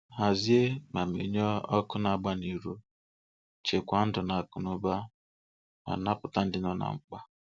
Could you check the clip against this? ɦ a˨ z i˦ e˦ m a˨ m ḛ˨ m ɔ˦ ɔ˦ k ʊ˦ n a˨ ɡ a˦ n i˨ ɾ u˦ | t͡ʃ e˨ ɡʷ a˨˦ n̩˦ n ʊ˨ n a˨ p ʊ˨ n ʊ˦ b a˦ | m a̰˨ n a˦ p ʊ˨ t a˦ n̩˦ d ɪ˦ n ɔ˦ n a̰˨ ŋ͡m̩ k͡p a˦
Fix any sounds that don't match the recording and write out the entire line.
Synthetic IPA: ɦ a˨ z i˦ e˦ m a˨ m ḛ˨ ɲ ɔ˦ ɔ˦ k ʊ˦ n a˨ ɡ͡b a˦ n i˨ ɾ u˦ | t͡ʃ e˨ kʷ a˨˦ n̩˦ d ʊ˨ n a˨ k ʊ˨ n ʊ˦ b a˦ | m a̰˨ n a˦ p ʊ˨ t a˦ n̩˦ d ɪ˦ n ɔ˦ n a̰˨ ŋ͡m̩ k͡p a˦